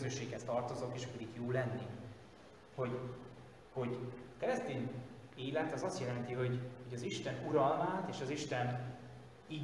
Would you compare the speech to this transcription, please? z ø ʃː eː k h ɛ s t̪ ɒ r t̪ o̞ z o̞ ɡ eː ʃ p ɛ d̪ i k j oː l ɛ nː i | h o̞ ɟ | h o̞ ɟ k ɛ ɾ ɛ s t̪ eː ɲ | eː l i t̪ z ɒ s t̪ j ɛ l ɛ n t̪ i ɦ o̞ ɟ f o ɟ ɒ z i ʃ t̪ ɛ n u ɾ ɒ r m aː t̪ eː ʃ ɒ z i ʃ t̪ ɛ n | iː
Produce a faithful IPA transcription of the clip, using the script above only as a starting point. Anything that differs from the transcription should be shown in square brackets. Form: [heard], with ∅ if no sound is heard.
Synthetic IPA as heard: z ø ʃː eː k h ɛ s t̪ ɒ r t̪ o̞ z o̞ [k] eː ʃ p ɛ d̪ i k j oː l ɛ nː i | h o̞ ɟ | h o̞ ɟ k ɛ ɾ ɛ s t̪ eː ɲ | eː l [ɛ] t̪ z ɒ s t̪ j ɛ l ɛ n t̪ i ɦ o̞ ɟ [h] o ɟ ɒ z i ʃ t̪ ɛ n u ɾ ɒ [l] m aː t̪ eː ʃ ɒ z i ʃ t̪ ɛ n | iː